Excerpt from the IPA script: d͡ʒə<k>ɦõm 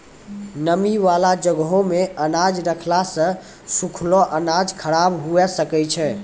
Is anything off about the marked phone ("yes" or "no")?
yes